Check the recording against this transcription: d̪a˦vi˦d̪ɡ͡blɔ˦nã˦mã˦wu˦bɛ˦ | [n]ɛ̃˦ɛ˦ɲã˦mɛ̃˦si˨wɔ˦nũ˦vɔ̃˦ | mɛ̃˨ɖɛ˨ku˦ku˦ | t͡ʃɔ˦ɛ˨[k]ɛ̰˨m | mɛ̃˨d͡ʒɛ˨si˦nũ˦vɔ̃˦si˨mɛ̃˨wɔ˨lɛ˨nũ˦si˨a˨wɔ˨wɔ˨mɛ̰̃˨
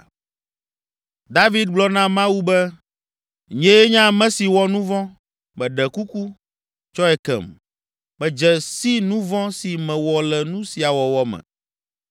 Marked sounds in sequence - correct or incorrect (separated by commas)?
incorrect, correct